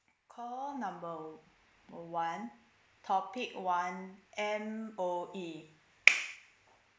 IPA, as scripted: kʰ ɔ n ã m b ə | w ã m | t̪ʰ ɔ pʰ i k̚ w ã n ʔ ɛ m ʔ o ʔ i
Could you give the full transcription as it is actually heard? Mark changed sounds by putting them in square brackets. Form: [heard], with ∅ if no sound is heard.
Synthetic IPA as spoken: kʰ ɔ n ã m b ə | w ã [n] | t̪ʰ ɔ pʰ i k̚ w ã n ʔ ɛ m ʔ o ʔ i